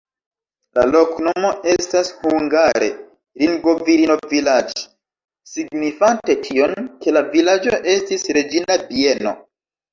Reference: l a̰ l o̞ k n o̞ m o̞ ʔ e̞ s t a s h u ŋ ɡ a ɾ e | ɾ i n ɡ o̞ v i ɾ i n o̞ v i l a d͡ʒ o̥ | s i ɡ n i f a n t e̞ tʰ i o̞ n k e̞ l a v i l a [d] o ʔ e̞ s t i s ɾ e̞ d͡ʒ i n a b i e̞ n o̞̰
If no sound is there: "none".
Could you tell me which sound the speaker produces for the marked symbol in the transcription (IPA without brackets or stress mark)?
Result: d͡ʒ